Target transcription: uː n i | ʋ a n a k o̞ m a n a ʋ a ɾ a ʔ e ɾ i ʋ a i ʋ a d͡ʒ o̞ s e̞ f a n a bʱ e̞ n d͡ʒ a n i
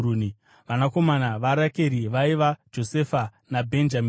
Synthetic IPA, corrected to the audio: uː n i | ʋ a n a k o̞ m a n a ʋ a ɾ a k e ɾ i ʋ a i ʋ a d͡ʒ o̞ s e̞ f a n a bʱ e̞ n d͡ʒ a m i